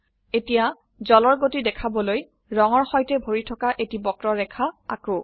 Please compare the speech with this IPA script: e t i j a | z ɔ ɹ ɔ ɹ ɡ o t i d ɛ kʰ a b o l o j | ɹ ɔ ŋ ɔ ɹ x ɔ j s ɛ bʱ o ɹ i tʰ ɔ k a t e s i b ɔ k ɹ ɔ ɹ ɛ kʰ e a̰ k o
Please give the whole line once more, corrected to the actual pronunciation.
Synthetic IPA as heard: e t i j a | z ɔ l ɔ ɹ ɡ o t i d ɛ kʰ a b ɔ l o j | ɹ ɔ ŋ ɔ ɹ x ɔ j t ɛ bʱ o ɹ i tʰ ɔ k a ʔ e t i b ɔ k ɹ ɔ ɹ ɛ kʰ a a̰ k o

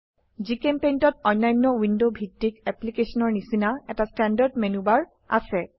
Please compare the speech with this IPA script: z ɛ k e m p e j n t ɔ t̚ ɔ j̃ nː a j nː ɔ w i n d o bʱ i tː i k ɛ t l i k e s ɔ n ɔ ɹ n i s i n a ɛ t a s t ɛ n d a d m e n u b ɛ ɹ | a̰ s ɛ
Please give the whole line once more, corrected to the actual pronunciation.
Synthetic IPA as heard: z i k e m p e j n t ɔ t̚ ɔ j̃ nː a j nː ɔ w i n d o bʱ i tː i k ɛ p l i k e s ɔ n ɔ ɹ n i s i n a ɛ t a s t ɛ n d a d m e n u b a ɹ | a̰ s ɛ

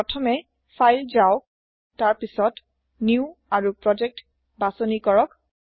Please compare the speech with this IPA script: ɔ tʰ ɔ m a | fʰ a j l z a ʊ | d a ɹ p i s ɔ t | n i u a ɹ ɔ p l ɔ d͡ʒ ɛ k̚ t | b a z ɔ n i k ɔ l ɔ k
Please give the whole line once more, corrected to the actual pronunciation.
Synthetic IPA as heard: ɔ tʰ ɔ m ɛ | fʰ a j l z a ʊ | t a ɹ p i s ɔ t | n i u a ɹ u p ɹ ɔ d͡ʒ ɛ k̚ t | b a s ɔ n i k ɔ ɹ ɔ k

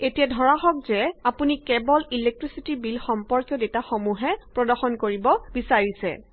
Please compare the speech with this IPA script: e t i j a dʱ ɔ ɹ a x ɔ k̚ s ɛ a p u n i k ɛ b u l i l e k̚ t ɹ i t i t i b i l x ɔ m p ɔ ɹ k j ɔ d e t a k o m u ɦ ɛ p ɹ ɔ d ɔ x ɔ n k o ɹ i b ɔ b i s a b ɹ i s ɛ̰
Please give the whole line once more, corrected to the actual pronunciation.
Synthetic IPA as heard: e t i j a dʱ ɔ ɹ a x ɔ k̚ z ɛ a p u n i k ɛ b ɔ l i l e k̚ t ɹ i s i t i b i l x ɔ m p ɔ ɹ k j ɔ d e t a x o m u ɦ ɛ p ɹ ɔ d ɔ x ɔ n k o ɹ i b ɔ b i s a ɹ i s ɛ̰

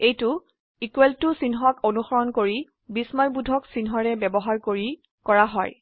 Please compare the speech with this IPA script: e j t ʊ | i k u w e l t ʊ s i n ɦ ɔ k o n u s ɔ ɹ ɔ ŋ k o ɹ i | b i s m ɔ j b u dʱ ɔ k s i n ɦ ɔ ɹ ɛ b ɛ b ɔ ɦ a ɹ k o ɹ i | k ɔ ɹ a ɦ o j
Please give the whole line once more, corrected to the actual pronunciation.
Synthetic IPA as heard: e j t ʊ | i k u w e l t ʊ s i n ɦ ɔ k o n u x ɔ ɹ ɔ n k o ɹ i | b i s m ɔ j b u dʱ ɔ k s i n ɦ ɔ ɹ ɛ b ɛ b ɔ ɦ a ɹ k o ɹ i | k ɔ ɹ a ɦ ɔ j

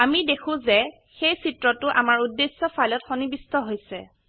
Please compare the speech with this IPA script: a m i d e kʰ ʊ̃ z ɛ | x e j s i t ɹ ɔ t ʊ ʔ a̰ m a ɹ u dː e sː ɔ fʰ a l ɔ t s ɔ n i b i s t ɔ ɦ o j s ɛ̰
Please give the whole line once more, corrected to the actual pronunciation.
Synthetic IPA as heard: a m i d e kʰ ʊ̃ z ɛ | x e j s i t ɹ ɔ t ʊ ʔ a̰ m a ɹ u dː e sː ɔ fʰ a l ɔ t x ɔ n i b i s t ɔ ɦ o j s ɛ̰

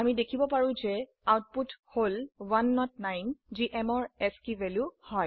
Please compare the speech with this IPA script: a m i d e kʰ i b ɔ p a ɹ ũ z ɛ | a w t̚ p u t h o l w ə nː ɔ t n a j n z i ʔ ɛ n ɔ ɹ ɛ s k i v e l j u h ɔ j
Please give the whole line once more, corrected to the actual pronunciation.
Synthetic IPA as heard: a m i d e kʰ i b ɔ p a ɹ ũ z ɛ | a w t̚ p u t h o l w a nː ɔ t n a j n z i ʔ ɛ m ɔ ɹ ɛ s k i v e l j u h ɔ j

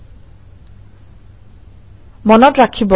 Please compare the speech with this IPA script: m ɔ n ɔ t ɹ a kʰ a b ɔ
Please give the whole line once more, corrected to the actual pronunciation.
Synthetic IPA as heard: m ɔ n ɔ t ɹ a kʰ i b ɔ

